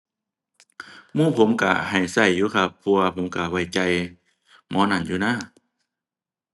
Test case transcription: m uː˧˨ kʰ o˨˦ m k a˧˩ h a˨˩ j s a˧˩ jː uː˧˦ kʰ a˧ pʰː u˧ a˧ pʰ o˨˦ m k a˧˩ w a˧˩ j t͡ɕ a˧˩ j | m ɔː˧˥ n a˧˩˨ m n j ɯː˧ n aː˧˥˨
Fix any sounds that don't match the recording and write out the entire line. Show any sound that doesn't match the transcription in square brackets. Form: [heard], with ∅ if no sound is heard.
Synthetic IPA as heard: m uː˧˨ [pʰ] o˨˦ m k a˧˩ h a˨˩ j s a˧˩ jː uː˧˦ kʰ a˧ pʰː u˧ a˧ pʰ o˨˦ m k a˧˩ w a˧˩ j t͡ɕ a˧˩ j | m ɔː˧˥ n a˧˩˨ [∅] n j [uː˧] n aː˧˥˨